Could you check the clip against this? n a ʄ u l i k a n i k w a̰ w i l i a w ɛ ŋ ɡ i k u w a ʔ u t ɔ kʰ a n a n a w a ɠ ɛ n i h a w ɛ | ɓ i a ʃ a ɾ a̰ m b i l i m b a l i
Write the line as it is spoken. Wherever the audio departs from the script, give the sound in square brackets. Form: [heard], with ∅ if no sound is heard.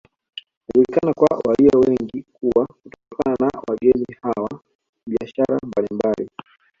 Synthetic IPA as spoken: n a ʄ u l i k a n [a] k w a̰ w [a] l i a w ɛ ŋ ɡ i k u w a [k] u t ɔ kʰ a n a n a w a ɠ ɛ n i h a w [a] | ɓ i a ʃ a ɾ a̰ m b [a] l i m b a l i

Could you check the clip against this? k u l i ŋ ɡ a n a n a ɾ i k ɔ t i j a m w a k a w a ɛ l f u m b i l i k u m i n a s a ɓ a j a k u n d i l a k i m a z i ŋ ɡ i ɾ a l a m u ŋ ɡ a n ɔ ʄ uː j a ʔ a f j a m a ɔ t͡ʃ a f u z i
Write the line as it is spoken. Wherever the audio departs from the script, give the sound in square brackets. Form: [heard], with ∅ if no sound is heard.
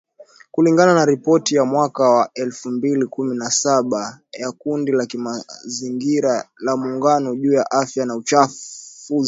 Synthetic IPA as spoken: k u l i ŋ ɡ a n a n a ɾ i [p] ɔ t i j a m w a k a w a ɛ l f u m b i l i k u m i n a s a ɓ a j a k u n d i l a k i m a z i ŋ ɡ i ɾ a l a m u ŋ ɡ a n ɔ ʄ uː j a ʔ a f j a [n] a [u] t͡ʃ a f u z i

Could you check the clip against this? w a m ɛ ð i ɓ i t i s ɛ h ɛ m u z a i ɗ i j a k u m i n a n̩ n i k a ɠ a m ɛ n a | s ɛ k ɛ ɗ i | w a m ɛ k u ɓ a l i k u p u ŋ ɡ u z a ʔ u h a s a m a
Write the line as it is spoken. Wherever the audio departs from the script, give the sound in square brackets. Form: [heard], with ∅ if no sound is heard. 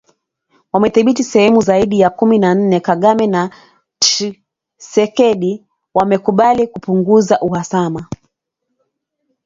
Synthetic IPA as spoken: w a m ɛ [θ] i ɓ i t i s ɛ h ɛ m u z a i ɗ i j a k u m i n a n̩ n [ɛ] k a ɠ a m ɛ n a | s ɛ k ɛ ɗ i | w a m ɛ k u ɓ a l i k u p u ŋ ɡ u z a ʔ u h a s a m a

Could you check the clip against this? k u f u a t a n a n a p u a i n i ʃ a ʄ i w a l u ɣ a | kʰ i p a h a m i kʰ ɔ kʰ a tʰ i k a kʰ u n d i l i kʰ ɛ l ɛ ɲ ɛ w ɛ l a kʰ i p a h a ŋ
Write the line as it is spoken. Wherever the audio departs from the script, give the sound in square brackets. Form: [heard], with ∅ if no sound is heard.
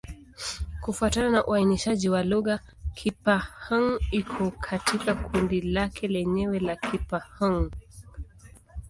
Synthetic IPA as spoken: k u f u a t a n a n a [ʔ] u a i n i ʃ a ʄ i w a l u ɣ a | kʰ i p a h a [ŋ] i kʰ ɔ kʰ a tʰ i k a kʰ u n d i l [a] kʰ ɛ l ɛ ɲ ɛ w ɛ l a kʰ i p a h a ŋ

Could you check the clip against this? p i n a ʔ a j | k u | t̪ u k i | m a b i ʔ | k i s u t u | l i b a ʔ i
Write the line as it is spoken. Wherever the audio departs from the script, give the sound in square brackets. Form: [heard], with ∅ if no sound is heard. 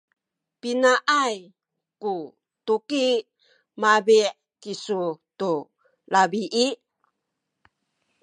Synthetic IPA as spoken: p i n a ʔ a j | k u | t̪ u k i | m a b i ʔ | k i s u t u | l [a] b [i] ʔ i

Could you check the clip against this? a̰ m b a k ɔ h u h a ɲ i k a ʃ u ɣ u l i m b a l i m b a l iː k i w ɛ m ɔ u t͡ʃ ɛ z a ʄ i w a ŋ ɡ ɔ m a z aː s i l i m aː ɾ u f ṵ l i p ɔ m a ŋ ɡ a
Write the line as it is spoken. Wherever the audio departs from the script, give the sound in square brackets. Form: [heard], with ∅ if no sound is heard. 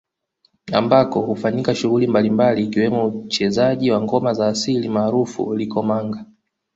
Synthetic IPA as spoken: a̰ m b a k ɔ h u [f] a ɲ i k a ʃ u ɣ u l i m b a l i m b a l iː k i w ɛ m ɔ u t͡ʃ ɛ z a ʄ i w a ŋ ɡ ɔ m a z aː s i l i m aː ɾ u f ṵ l i [k] ɔ m a ŋ ɡ a

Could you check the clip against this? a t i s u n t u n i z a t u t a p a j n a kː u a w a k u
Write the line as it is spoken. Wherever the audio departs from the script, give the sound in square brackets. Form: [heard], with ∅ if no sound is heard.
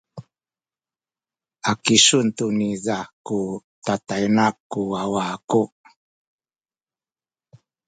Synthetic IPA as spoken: a [k] i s u n t u n i z a [k] u t a [t] a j n a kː u a w a k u

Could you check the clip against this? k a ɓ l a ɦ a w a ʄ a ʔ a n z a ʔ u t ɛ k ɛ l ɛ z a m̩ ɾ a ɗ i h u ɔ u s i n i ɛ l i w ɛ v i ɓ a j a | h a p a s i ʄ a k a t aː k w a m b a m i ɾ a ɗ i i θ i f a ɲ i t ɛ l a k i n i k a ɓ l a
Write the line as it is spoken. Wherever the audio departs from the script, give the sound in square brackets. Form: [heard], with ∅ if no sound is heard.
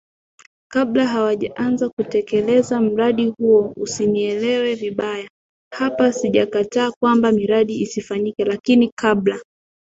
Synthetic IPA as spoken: k a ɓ l a ɦ a w a ʄ a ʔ a n z a [k] u t ɛ k ɛ l ɛ z a m̩ ɾ a ɗ i h u ɔ u s i n i ɛ l [ɛ] w ɛ v i ɓ a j a | h a p a s i ʄ a k a t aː k w a m b a m i ɾ a ɗ i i [s] i f a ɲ i [k] ɛ l a k i n i k a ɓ l a

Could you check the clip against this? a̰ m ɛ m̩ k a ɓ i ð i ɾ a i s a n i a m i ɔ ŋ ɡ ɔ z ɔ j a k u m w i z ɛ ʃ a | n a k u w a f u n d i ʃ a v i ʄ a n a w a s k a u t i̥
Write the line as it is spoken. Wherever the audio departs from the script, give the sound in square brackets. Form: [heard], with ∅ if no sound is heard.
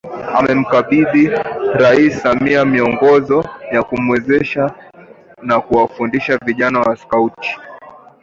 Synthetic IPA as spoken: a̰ m ɛ m̩ k a ɓ i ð i ɾ a i s a [m] i a m i ɔ ŋ ɡ ɔ z ɔ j a k u m w [ɛ] z ɛ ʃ a | n a k u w a f u n d i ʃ a v i ʄ a n a w a s k a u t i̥

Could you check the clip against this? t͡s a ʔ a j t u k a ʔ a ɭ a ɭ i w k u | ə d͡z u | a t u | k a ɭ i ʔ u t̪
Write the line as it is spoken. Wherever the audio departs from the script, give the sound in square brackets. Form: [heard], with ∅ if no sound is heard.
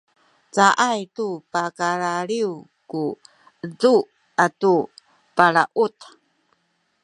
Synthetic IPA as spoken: t͡s a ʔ a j t u [p] a [k] a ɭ a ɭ i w k u | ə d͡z u | a t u | [p] a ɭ [a] ʔ u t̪

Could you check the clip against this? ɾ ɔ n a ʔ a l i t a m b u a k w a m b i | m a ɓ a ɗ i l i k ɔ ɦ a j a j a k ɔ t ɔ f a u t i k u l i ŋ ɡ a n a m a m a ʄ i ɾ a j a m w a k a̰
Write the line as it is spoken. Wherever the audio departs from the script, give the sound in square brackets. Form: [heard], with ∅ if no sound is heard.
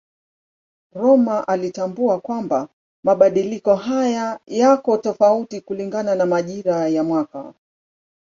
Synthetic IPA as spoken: ɾ ɔ [m] a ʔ a l i t a m b u a k w a m b [a] | m a ɓ a ɗ i l i k ɔ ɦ a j a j a k ɔ t ɔ f a u t i k u l i ŋ ɡ a n a [n] a m a ʄ i ɾ a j a m w a k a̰

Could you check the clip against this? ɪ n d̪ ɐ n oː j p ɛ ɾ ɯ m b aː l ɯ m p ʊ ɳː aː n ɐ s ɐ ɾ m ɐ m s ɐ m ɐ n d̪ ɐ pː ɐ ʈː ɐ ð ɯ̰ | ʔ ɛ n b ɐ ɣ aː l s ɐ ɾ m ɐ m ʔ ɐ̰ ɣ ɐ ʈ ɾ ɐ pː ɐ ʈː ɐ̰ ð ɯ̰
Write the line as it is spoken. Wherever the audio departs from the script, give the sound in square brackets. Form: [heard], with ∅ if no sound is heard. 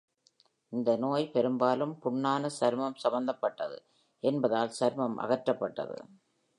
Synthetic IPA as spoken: ɪ n d̪ ɐ n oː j p ɛ ɾ ɯ m b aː l ɯ m p ʊ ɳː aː n ɐ s ɐ ɾ m ɐ m s ɐ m ɐ n d̪ ɐ pː ɐ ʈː ɐ ð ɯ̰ | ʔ ɛ n b ɐ [ð] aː l s ɐ ɾ m ɐ m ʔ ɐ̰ ɣ ɐ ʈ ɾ ɐ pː ɐ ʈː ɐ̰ ð ɯ̰

